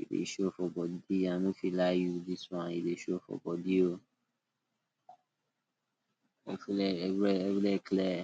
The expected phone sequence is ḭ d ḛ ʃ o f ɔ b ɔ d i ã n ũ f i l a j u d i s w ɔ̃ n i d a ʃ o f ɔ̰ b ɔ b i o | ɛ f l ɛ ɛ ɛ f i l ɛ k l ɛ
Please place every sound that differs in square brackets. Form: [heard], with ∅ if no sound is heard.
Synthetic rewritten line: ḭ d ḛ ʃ o f ɔ b ɔ d i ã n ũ f i l a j u d i s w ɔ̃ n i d [e] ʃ o f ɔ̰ b ɔ [d] i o | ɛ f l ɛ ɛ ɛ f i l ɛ k l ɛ

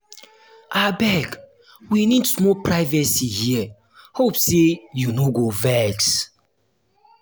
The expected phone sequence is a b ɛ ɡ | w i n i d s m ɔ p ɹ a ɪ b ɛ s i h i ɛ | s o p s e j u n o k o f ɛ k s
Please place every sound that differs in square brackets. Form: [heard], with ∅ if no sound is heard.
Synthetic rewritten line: a b ɛ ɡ | w i n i d s m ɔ p ɹ a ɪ [v] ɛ s i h i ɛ | [h] o p s e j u n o [ɡ] o [v] ɛ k s

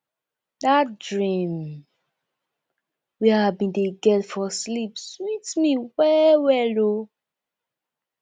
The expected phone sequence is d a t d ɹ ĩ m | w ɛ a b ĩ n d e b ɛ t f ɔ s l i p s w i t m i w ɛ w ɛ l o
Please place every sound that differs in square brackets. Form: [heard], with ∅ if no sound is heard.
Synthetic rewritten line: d a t d ɹ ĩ m | w [i] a b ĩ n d e [ɡ] ɛ t f ɔ s l i p s w i t m i w ɛ w ɛ l o

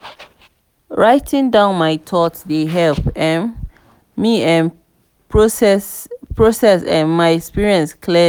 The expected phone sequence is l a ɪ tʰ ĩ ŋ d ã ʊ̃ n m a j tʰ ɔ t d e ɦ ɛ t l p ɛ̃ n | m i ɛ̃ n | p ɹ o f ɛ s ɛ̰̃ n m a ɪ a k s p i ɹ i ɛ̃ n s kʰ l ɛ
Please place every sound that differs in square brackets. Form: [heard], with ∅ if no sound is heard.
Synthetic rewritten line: [ɹ] a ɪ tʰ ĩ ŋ d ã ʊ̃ n m a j tʰ ɔ t d e ɦ ɛ [∅] l p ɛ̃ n | m i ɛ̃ n | p ɹ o [s] ɛ s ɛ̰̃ n m a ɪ [ɛ] k s p i ɹ i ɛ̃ n s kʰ l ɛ

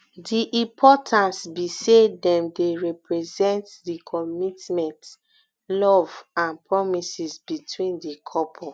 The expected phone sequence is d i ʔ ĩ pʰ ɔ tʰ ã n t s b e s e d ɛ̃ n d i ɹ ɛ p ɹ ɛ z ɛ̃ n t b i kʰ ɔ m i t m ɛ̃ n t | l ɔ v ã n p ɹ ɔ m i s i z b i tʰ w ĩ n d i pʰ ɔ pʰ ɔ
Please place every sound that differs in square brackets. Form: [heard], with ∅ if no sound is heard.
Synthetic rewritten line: d i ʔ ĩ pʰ ɔ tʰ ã n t s b [i] s e d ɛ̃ [m] d [e] ɹ ɛ p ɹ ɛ z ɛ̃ n t [d] i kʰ ɔ m i t m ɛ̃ n t | l ɔ v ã n p ɹ ɔ m i s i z b i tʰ w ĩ n d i [kʰ] ɔ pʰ ɔ

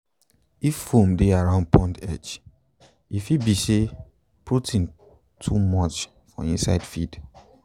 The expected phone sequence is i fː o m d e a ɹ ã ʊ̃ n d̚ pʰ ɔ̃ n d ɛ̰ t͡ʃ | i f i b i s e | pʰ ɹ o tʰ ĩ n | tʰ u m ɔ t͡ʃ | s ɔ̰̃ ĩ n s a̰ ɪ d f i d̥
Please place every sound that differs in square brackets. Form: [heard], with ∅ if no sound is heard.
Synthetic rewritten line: i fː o m d e a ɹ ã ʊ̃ n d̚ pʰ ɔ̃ n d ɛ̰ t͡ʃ | i f i b i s e | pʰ ɹ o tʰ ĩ n | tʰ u m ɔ t͡ʃ | [f] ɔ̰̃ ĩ n s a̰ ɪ d f i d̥

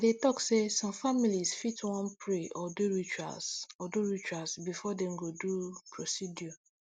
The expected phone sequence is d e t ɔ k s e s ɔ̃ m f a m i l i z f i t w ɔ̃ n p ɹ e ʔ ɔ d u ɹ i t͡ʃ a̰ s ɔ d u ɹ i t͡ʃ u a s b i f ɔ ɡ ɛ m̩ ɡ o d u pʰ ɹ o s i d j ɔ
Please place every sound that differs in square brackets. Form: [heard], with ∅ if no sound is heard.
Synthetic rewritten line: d e t ɔ k s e s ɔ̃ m f a m i l i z f i t w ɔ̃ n p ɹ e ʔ ɔ d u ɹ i t͡ʃ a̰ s ɔ d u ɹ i t͡ʃ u a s b i f ɔ [d] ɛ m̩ ɡ o d u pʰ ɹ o s i d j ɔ

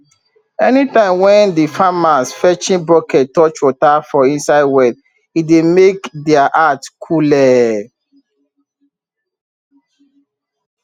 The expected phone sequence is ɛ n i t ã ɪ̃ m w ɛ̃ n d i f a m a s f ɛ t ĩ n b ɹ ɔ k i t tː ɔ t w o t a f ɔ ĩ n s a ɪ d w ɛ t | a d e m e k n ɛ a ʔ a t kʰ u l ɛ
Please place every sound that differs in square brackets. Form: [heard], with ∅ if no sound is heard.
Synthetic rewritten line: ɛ n i t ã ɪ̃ m w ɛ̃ n d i f a m a s f ɛ [t͡ʃ] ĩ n b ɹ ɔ k [ɛ] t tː ɔ [t͡ʃ] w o t a f ɔ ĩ n s a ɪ d w ɛ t | [i] d e m e k [d] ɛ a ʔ a t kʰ u l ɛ

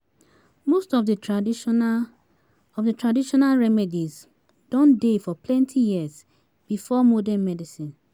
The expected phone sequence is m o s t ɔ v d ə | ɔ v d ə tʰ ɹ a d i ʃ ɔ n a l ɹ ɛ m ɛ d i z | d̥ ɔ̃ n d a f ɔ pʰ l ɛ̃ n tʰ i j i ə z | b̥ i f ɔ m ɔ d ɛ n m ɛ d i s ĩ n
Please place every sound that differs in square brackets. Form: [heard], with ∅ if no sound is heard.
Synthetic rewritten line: m o s t ɔ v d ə | ɔ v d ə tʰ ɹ a d i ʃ ɔ n a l ɹ ɛ m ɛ d i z | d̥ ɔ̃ n d [e] f ɔ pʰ l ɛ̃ n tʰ i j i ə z | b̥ i f ɔ m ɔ d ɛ n m ɛ d i s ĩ n

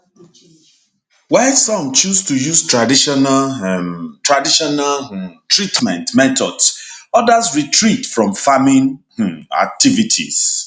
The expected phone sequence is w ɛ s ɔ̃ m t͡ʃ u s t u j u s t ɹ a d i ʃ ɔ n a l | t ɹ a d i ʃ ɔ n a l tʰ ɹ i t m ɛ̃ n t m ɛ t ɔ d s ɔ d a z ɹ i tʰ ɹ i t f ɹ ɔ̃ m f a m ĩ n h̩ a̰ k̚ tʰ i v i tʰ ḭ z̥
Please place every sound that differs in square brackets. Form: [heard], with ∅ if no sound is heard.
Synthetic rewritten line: w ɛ s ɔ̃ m t͡ʃ u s t u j u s t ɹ a d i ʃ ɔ n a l | t ɹ a d i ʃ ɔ n a l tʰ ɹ i t m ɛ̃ n t m ɛ t ɔ d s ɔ d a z ɹ i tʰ ɹ i t f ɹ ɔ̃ m f a m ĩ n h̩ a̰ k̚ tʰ i v i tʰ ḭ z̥

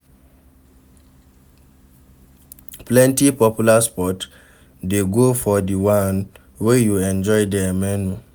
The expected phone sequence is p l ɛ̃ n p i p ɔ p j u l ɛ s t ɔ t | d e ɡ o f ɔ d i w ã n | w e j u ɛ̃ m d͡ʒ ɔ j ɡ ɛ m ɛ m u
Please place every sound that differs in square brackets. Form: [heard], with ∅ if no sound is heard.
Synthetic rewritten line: p l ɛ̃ n [t] i p ɔ p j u l [a] s [p] ɔ t | d e ɡ o f ɔ d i w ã n | w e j u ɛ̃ [n] d͡ʒ ɔ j [d] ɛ m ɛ [n] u

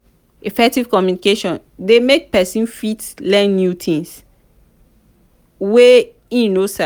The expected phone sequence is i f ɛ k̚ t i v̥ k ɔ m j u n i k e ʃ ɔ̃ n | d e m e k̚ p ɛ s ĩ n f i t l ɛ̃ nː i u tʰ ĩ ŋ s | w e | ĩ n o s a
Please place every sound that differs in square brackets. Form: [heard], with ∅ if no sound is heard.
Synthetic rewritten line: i f ɛ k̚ t i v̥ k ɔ m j u n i k e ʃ ɔ̃ n | d e m e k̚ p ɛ s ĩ n f i t l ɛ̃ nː [j] u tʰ ĩ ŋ s | w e | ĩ n o s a

